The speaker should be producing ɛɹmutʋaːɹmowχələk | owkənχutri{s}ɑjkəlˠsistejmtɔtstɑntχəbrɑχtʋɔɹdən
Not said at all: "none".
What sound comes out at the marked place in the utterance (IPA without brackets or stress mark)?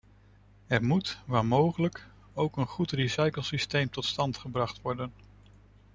s